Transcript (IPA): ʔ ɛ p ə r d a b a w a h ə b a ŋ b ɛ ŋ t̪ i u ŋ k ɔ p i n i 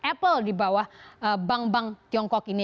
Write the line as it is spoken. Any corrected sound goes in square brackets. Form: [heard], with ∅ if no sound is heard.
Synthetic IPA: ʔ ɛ p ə [l] d [i] b a w a h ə b a ŋ b [a] ŋ t̪ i [ɔ] ŋ k ɔ [k] i n i